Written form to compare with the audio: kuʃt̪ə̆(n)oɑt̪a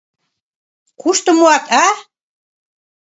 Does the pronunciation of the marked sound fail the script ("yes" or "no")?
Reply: yes